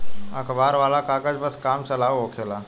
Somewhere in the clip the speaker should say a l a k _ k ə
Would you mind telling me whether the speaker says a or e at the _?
a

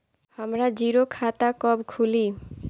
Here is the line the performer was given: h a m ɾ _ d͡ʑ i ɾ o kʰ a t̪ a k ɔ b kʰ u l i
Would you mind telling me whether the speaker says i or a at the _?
a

